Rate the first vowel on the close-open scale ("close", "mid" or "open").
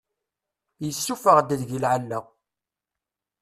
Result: mid